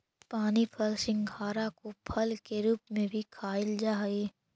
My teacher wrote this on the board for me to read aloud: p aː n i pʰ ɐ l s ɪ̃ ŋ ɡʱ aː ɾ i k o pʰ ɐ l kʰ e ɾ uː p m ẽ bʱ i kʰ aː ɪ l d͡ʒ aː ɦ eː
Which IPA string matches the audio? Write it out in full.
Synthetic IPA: p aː n i pʰ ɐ l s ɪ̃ ŋ ɡʱ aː ɾ a k o pʰ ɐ l k e ɾ uː p m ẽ bʱ i kʰ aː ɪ l d͡ʒ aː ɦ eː